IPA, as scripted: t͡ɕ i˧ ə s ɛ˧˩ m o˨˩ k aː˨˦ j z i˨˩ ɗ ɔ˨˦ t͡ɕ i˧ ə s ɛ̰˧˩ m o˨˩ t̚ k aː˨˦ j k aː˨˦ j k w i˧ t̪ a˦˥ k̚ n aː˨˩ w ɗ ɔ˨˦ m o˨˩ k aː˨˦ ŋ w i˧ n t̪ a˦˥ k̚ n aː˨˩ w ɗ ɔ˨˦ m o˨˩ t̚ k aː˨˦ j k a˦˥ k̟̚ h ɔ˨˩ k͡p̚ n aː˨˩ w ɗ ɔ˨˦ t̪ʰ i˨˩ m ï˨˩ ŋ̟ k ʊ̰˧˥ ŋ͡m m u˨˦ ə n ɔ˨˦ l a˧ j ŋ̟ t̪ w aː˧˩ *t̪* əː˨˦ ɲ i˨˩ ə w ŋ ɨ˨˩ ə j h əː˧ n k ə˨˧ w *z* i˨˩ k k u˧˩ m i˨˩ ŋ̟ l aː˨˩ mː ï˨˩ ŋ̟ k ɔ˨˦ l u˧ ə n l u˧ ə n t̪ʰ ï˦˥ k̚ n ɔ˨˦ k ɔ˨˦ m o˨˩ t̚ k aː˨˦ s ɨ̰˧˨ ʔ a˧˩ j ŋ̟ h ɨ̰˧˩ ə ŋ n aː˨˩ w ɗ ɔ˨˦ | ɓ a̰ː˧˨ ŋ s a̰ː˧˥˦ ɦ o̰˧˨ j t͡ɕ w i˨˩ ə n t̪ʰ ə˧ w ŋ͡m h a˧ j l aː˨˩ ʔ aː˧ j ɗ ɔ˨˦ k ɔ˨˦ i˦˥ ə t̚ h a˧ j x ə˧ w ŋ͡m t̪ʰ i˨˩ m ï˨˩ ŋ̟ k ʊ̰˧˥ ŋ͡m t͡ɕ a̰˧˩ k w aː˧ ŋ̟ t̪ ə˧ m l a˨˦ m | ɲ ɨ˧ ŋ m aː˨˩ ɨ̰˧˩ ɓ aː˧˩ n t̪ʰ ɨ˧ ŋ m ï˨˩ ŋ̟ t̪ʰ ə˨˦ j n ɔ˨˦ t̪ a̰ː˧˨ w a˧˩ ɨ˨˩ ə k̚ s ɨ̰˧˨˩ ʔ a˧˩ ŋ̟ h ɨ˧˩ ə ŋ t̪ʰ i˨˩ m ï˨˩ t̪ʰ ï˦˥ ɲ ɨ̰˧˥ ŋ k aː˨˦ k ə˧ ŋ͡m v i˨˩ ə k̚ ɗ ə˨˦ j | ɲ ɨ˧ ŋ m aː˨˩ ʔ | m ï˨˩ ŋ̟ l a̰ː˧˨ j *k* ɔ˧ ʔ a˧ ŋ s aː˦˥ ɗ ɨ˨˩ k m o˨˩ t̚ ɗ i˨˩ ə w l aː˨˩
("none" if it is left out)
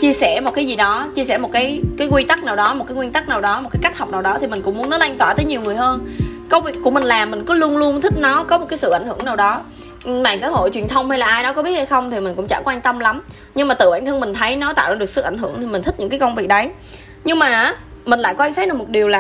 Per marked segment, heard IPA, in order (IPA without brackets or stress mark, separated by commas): t̪, v, k